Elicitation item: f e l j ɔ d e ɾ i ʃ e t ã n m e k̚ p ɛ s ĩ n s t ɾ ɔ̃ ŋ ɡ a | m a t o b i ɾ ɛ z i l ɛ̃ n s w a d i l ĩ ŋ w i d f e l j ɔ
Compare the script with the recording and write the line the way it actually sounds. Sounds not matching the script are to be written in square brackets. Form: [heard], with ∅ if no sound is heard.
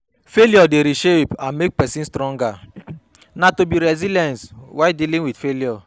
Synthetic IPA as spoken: f e l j ɔ d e ɾ i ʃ e [p] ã n m e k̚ p ɛ s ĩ n s t ɾ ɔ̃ ŋ ɡ a | [n] a t o b i ɾ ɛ z i l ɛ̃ n s w a d i l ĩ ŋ w i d f e l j ɔ